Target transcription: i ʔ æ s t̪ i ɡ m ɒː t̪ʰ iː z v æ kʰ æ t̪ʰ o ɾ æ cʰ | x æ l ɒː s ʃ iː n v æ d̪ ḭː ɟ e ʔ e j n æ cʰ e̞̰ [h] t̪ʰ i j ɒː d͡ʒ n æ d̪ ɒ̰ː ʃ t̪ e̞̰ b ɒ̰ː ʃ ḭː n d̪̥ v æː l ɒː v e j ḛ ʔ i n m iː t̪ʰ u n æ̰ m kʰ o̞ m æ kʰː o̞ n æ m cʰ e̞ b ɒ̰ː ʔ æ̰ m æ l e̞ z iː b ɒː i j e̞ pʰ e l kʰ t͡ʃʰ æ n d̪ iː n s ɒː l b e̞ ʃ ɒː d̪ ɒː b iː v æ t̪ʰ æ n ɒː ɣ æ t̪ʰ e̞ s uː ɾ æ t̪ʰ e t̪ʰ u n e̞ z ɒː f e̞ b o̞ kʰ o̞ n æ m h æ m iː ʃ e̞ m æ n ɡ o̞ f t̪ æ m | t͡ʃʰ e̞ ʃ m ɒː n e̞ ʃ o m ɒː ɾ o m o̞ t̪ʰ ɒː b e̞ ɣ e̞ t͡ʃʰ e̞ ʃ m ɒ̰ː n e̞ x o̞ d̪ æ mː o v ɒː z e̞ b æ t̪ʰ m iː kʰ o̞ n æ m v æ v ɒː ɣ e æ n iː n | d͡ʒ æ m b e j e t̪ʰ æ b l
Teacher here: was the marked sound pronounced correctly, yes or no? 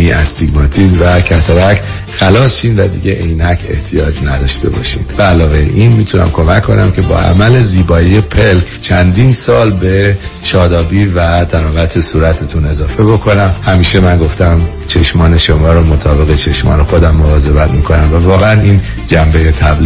yes